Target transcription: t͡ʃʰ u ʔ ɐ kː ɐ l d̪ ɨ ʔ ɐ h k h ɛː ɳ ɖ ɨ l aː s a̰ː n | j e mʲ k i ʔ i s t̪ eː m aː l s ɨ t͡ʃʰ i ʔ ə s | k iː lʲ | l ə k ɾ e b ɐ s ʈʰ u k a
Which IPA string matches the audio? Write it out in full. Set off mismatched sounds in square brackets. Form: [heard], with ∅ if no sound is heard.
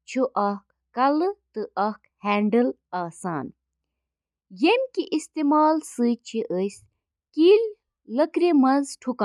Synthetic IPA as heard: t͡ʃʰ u ʔ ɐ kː ɐ l [t̪] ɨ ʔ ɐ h k h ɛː ɳ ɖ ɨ l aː s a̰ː n | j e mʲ k i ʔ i s t̪ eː m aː l s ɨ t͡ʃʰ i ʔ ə s | k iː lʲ | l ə k ɾ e [m] ɐ [z] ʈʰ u k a